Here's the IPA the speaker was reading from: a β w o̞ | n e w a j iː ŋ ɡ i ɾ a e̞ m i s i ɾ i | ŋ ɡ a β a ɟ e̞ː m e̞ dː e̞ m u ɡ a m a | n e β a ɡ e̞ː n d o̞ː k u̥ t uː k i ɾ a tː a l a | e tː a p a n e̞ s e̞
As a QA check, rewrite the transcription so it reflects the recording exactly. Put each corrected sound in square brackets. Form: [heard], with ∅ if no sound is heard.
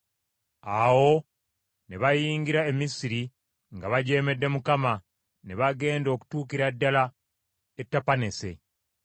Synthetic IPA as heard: a [∅] w o̞ | n e [β] a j iː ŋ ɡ i ɾ a e̞ m i s i ɾ i | ŋ ɡ a β a ɟ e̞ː m e̞ dː e̞ m u [k] a m a | n e β a ɡ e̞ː n d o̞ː k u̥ t uː k i ɾ a [dː] a l a | e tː a p a n e̞ s e̞